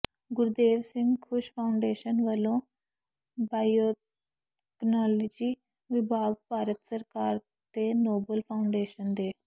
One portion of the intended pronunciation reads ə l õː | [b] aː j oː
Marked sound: correct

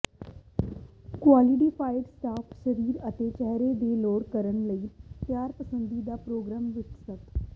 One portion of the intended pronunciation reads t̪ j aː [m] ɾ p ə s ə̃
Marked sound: incorrect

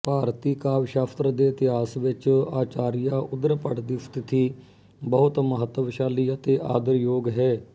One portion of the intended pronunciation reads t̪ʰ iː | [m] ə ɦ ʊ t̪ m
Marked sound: incorrect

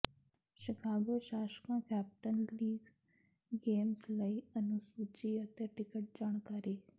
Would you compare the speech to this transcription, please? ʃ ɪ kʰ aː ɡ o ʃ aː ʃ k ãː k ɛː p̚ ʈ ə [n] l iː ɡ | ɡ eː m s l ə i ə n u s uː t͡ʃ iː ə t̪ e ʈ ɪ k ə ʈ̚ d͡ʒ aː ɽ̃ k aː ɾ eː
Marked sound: correct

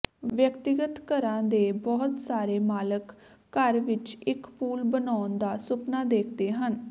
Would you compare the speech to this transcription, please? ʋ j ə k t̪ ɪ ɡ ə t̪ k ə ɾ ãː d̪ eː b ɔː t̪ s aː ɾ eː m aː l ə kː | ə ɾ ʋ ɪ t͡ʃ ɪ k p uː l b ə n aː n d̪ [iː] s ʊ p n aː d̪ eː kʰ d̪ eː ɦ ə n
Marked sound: incorrect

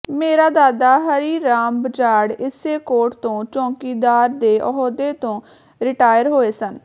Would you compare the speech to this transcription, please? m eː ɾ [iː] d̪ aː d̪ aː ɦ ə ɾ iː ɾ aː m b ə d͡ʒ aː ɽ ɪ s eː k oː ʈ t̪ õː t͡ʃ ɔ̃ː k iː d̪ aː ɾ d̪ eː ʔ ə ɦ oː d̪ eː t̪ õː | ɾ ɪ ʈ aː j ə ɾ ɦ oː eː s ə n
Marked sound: incorrect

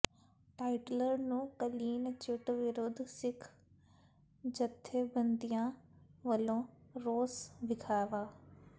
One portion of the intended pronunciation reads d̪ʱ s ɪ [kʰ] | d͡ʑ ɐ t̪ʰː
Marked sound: correct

